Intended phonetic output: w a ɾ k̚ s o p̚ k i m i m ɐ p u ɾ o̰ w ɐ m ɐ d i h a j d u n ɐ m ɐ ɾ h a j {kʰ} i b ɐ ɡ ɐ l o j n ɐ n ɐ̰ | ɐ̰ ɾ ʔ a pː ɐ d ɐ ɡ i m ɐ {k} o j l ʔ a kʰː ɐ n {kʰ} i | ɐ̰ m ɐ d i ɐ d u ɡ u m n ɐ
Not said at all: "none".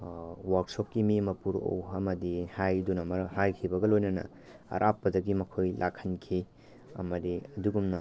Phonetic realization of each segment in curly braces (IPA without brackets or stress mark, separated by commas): kʰ, kʰ, kʰ